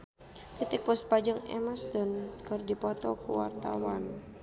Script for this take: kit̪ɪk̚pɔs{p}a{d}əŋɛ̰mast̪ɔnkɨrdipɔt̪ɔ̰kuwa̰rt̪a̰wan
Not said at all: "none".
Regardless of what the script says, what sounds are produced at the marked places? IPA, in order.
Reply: p, d͡ʒ

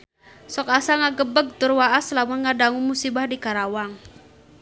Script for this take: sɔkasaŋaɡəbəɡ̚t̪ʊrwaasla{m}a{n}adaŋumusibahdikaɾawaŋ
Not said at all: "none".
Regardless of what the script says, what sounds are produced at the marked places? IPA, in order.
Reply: m, ŋ

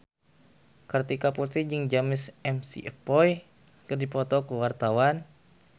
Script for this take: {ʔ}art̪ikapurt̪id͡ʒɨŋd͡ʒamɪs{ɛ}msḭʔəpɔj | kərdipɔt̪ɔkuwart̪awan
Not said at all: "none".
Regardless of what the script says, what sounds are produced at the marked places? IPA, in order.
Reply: k, ɛ

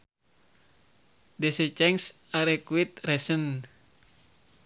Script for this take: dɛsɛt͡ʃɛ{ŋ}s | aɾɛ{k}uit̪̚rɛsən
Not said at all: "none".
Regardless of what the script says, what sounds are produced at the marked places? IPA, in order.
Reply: ŋ, k

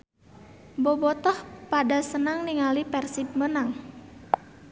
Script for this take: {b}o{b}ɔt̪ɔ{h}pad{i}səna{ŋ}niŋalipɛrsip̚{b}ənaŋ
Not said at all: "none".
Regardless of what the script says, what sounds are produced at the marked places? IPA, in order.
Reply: b, b, h, a, ŋ, m

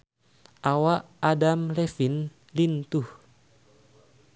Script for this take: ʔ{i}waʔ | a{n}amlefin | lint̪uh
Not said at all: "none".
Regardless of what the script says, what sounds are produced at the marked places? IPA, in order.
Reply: a, d

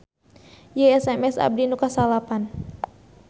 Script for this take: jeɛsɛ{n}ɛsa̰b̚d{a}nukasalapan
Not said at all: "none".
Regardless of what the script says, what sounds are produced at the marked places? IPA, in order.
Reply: m, i

